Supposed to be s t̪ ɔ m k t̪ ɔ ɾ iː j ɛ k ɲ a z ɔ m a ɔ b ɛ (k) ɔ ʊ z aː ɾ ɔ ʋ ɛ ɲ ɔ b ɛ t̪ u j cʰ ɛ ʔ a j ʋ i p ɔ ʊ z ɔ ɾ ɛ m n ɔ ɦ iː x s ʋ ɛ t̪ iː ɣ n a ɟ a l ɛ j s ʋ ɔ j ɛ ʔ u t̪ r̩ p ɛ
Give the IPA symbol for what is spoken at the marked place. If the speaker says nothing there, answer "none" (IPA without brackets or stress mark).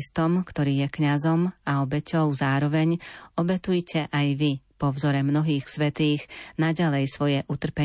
c